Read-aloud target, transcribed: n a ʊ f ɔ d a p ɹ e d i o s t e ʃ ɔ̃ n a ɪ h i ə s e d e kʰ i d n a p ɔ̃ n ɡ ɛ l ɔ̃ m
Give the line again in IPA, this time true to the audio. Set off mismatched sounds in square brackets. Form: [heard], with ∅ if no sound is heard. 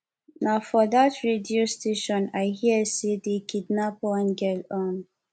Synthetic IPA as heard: n a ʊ f ɔ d a [t] ɹ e d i o s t e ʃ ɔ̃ n a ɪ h i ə s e d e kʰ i d n a p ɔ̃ n ɡ ɛ l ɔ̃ [n]